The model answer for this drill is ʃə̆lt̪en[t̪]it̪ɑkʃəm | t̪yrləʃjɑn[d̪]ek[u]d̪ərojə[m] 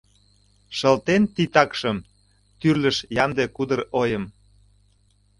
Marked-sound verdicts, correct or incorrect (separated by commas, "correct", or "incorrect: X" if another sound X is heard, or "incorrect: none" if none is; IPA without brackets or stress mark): correct, correct, correct, correct